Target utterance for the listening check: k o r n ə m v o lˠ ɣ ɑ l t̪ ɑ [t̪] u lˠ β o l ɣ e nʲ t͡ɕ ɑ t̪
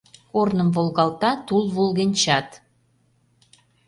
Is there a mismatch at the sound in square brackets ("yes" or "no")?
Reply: no